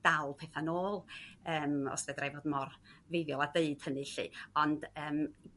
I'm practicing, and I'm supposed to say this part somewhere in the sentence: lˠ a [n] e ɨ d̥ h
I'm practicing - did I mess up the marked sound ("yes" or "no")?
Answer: yes